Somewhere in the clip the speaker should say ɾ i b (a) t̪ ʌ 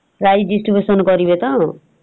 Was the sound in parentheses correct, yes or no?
no